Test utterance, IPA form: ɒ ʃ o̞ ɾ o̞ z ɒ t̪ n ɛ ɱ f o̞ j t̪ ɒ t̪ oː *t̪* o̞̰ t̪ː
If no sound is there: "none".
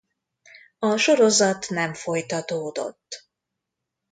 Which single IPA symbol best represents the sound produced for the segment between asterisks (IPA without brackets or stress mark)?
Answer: d̪